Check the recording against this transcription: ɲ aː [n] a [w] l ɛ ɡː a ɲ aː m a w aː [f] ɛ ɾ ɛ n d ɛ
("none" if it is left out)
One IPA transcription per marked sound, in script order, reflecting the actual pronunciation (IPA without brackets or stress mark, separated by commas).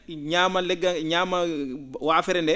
m, none, f